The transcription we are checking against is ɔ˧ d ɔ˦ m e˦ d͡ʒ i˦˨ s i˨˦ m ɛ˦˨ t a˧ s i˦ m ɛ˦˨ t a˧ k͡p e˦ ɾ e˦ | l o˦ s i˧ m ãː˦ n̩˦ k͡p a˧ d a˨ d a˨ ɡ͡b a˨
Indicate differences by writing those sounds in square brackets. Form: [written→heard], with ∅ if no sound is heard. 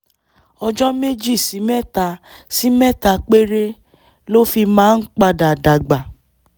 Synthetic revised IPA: ɔ˧ [d→d͡ʒ] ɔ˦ m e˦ d͡ʒ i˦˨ s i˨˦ m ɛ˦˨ t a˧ s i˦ m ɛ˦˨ t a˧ k͡p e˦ ɾ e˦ | l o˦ [s→f] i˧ m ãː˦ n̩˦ k͡p a˧ d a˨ d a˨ ɡ͡b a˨